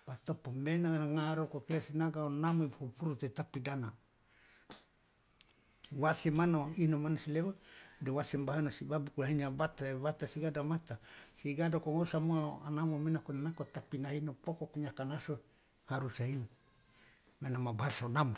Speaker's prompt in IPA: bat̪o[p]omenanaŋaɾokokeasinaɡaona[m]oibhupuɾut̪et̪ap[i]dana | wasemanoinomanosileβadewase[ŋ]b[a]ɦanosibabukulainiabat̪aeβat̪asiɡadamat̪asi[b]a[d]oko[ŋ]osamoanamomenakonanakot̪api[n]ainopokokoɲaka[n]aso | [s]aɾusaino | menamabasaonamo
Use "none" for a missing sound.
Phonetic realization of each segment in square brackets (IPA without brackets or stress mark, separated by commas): p, m, i, m, a, ɡ, d, ŋ, n, n, h